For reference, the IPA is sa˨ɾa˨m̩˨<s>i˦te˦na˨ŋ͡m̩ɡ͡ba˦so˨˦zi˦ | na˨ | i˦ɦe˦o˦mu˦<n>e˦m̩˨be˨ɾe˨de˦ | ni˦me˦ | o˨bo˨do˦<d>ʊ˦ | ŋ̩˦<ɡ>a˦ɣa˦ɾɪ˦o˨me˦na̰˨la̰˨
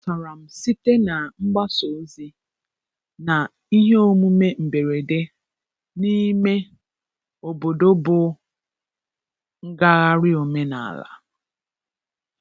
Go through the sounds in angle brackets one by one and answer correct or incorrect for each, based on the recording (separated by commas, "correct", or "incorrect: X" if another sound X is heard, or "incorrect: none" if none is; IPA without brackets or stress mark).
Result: correct, incorrect: m, incorrect: b, correct